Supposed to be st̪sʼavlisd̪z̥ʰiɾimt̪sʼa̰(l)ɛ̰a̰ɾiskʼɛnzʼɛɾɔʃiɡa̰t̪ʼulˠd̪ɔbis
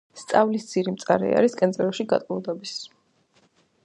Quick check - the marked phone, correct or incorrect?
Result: incorrect